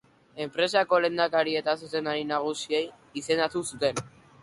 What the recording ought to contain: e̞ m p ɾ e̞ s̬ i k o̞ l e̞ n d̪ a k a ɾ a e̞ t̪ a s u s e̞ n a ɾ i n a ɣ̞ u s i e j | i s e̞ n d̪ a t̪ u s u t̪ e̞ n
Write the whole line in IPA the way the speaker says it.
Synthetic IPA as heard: e̞ m p ɾ e̞ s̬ a k o̞ l e̞ n d̪ a k a ɾ i e̞ t̪ a s u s e̞ n a ɾ i n a ɣ̞ u s i e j | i s e̞ n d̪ a t̪ u s u t̪ e̞ n